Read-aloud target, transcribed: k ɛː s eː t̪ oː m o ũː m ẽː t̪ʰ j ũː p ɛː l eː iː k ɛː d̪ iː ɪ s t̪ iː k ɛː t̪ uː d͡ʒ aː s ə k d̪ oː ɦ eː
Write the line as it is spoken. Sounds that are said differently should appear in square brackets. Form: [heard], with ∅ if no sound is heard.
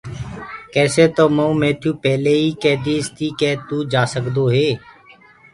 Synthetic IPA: k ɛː s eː t̪ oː m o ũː m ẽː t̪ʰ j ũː p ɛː l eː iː k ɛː d̪ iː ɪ s t̪ iː k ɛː t̪ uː d͡ʒ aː s ə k d̪ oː ɦ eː